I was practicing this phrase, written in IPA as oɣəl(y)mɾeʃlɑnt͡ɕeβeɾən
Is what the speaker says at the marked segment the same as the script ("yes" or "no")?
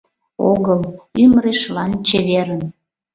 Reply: yes